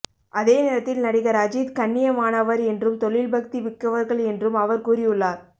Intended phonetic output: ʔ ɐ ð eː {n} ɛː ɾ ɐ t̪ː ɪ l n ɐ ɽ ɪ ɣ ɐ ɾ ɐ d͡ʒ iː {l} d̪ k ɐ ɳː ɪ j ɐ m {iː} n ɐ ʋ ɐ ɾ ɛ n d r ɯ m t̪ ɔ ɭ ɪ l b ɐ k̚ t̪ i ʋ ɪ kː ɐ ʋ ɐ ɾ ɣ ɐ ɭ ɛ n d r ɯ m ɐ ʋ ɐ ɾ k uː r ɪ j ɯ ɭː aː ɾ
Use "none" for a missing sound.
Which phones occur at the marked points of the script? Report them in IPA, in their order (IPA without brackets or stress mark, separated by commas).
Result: n, none, aː